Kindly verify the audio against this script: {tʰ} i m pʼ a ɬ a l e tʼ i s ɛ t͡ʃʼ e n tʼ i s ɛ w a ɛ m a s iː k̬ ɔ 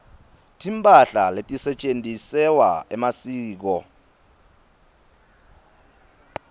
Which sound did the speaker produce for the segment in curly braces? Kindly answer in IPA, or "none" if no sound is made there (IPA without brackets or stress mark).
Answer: tʰ